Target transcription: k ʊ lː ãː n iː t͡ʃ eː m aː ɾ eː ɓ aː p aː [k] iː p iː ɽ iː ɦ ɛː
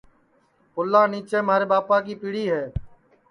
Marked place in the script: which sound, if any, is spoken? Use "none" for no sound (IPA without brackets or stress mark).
k